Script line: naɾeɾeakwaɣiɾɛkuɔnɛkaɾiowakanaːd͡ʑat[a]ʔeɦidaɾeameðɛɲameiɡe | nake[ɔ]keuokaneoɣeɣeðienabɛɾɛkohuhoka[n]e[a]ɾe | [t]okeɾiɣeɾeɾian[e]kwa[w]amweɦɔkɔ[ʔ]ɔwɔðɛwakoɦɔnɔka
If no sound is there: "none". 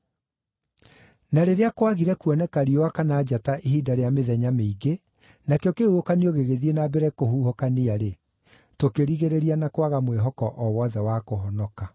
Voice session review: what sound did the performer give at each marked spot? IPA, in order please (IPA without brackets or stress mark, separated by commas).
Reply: a, ɔ, n, a, t, a, ɣ, ʔ